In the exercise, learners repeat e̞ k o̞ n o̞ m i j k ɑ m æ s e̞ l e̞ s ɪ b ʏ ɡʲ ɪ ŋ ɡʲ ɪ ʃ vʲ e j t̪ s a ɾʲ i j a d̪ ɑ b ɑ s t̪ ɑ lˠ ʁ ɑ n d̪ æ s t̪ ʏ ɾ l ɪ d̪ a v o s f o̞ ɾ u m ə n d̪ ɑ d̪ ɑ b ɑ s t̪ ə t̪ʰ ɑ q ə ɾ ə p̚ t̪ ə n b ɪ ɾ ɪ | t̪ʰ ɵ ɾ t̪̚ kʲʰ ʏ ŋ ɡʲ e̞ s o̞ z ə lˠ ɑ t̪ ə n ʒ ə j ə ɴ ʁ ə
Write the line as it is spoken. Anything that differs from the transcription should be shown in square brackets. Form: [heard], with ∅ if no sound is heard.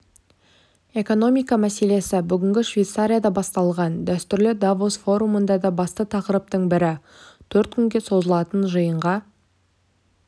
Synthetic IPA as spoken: e̞ k o̞ n o̞ m i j k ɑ m æ s e̞ l e̞ s ɪ b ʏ ɡʲ ɪ ŋ ɡʲ ɪ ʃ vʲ e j t̪ s a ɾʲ i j a d̪ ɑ b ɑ s t̪ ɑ lˠ ʁ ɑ n d̪ æ s t̪ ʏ ɾ l ɪ d̪ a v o s f o̞ ɾ u m ə n d̪ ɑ d̪ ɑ b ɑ s t̪ ə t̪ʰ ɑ q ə ɾ ə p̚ t̪ ə [ɴ] b ɪ ɾ ɪ | t̪ʰ ɵ ɾ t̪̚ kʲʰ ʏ ŋ ɡʲ e̞ s o̞ z ə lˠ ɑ t̪ ə n ʒ ə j ə ɴ ʁ [ɑ]